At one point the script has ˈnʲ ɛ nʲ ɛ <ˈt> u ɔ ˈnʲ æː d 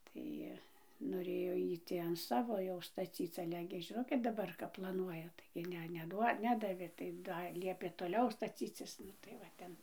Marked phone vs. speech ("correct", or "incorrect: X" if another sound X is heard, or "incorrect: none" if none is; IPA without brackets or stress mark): incorrect: d